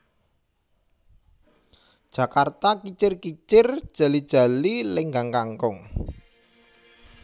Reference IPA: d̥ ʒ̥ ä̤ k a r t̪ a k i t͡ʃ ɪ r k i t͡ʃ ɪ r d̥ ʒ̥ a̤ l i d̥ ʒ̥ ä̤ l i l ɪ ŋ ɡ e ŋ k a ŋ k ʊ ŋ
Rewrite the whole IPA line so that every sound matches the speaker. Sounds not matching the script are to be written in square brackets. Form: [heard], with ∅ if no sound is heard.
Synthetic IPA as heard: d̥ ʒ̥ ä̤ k a r t̪ a k i t͡ʃ ɪ r k i t͡ʃ ɪ r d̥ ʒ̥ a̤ l i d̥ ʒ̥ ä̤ l i l ɪ ŋ ɡ [a] ŋ k a ŋ k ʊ ŋ